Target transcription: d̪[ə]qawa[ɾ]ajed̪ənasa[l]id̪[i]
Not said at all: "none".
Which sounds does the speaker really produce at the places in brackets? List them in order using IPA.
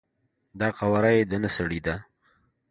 ɑ, ɾ, ɽ, a

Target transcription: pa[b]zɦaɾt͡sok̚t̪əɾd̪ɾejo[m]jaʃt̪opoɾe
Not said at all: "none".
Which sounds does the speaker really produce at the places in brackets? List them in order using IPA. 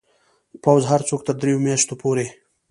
w, m

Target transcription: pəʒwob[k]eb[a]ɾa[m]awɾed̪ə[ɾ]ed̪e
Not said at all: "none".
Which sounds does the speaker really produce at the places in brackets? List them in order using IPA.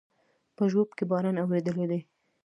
k, ɑ, n, l

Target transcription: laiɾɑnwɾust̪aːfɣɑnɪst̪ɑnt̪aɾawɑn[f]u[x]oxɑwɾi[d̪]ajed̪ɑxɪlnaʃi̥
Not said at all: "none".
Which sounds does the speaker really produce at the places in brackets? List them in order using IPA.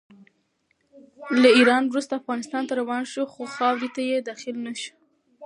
ʃ, x, t̪

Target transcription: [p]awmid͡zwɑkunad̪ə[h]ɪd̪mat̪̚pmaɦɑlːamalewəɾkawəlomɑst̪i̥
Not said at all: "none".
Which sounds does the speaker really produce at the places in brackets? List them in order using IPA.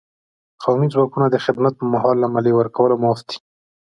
q, x

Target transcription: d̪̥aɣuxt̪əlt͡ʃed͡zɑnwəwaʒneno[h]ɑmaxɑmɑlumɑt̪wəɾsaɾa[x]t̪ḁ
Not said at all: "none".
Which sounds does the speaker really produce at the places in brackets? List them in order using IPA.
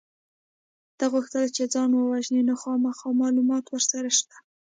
x, ʃ

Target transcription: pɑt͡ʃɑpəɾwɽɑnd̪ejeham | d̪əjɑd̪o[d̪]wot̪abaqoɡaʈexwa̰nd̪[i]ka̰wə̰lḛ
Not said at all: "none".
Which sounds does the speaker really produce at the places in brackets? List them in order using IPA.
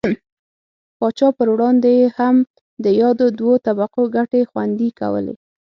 d̪, i

